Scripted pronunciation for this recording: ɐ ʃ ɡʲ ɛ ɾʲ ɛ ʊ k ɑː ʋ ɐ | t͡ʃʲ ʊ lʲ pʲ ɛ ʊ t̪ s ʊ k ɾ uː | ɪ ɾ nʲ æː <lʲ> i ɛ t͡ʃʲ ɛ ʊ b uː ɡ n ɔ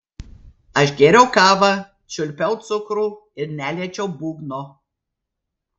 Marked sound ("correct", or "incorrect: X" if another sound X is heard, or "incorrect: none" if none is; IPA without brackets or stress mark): correct